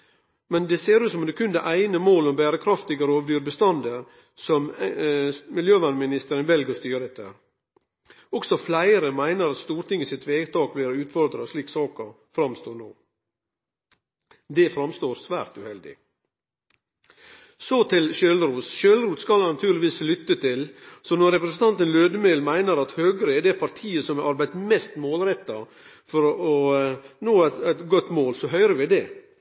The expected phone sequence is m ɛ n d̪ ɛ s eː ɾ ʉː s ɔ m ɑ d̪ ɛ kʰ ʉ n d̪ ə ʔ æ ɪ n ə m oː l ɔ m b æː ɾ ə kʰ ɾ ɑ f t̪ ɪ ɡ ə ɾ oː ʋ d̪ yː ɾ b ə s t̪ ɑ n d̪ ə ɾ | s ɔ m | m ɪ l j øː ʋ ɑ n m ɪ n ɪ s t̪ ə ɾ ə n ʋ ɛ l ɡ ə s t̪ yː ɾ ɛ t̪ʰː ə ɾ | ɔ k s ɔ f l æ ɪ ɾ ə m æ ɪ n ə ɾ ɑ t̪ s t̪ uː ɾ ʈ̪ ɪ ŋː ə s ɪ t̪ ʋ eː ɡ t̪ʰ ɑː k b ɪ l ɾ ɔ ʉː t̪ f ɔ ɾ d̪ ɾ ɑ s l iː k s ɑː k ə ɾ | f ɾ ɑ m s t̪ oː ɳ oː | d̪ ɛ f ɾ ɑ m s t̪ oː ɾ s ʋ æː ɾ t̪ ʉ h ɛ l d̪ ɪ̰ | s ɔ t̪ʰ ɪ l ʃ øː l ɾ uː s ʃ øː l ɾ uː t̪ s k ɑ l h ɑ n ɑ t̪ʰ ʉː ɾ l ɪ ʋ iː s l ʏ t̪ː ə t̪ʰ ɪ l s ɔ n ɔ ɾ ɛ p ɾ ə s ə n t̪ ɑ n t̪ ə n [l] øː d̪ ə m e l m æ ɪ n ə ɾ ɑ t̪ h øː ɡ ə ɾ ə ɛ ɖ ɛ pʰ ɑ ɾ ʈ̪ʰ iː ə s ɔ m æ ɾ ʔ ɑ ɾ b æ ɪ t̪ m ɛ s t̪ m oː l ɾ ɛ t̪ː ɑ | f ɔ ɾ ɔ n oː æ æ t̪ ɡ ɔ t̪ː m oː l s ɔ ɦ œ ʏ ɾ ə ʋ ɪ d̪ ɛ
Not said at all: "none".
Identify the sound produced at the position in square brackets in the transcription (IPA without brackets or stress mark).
l